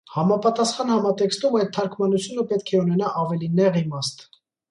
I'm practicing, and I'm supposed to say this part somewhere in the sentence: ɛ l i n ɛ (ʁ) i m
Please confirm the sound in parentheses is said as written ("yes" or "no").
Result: yes